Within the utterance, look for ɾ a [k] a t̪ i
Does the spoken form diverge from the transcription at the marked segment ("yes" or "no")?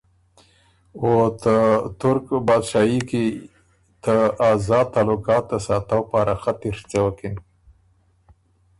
yes